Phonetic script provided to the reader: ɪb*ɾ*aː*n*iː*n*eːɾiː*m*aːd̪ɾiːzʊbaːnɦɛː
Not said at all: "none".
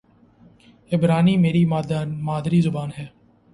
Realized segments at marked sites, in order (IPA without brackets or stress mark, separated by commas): ɾ, n, m, m